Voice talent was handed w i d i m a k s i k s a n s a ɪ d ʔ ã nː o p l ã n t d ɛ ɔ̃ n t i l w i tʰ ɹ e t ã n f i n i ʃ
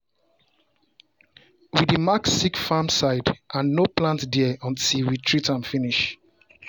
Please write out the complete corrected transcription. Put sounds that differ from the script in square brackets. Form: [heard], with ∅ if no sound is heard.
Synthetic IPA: w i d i m a k s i k [f] a [m] s a ɪ d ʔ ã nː o p l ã n t d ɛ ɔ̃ n t i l w i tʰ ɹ [i] t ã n f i n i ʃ